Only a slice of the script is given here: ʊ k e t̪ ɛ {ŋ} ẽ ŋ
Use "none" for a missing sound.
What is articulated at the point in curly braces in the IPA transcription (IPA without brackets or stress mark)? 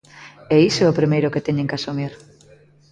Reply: ɲ